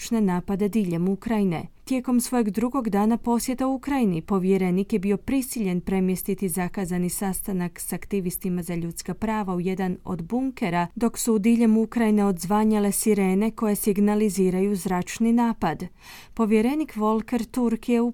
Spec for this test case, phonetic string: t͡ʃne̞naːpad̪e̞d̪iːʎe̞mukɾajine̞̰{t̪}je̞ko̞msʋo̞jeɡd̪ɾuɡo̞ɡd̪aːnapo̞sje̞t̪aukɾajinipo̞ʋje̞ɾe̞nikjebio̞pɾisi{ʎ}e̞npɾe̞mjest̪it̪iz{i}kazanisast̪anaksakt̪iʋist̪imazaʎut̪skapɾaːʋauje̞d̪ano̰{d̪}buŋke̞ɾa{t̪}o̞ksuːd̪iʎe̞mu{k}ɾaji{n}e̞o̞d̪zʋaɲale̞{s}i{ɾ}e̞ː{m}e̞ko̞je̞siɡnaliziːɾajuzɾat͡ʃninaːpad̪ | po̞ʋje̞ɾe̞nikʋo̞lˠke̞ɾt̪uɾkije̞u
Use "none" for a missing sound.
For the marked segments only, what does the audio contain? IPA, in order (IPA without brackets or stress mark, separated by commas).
t̪, ʎ, a, d̪, d̪, k, n, s, ɾ, n